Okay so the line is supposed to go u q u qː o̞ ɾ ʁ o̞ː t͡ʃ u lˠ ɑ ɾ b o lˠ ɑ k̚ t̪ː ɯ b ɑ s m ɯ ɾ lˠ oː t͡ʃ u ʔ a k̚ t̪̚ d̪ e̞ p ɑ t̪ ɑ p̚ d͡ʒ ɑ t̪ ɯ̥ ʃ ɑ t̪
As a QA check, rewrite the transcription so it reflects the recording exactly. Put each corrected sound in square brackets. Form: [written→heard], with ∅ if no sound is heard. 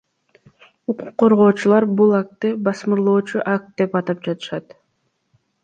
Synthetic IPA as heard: u q u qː o̞ ɾ ʁ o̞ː t͡ʃ u lˠ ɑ ɾ b [o→u] lˠ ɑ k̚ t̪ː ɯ b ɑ s m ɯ ɾ lˠ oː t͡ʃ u ʔ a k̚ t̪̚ d̪ e̞ p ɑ t̪ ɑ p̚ d͡ʒ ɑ t̪ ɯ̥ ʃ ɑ t̪